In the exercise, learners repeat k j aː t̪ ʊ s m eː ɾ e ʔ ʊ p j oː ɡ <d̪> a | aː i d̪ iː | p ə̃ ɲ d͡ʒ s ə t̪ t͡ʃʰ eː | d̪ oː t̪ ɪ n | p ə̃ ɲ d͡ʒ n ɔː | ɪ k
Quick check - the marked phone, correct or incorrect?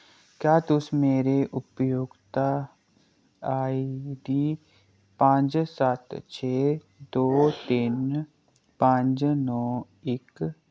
incorrect